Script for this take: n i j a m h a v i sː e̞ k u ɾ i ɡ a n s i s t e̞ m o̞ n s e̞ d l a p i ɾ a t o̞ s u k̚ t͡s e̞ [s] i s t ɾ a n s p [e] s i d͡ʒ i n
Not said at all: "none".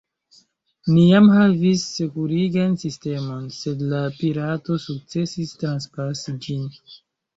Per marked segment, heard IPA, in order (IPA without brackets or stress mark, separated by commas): s, a